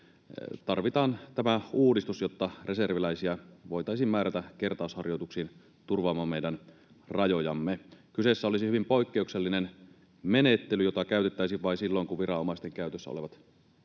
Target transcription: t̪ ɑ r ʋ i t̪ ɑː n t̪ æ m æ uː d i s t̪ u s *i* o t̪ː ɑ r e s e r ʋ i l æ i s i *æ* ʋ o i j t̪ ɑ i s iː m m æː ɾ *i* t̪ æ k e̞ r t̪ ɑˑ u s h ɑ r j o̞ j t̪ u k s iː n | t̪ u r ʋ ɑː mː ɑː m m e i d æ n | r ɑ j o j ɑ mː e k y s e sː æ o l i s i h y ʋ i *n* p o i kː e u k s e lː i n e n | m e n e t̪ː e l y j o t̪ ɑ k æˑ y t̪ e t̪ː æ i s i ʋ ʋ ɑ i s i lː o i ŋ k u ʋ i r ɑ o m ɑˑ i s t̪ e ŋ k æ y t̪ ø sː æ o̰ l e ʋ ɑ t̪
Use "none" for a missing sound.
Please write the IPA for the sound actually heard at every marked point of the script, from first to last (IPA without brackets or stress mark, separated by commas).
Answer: j, æ, æ, m